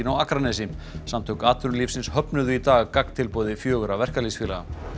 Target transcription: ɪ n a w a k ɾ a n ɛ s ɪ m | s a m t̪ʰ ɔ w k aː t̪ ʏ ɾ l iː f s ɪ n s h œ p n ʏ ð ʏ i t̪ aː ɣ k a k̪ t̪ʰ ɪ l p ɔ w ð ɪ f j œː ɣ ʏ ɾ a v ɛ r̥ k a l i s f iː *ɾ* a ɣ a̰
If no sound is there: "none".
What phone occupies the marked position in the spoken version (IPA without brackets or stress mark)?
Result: l